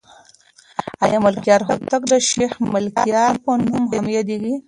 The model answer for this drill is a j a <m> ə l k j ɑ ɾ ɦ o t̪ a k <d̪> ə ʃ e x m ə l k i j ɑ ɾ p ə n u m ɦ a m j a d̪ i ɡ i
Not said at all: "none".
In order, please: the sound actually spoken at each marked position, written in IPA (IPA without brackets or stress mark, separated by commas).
m, d̪